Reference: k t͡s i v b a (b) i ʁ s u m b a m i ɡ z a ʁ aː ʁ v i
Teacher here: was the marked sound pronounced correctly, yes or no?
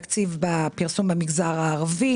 no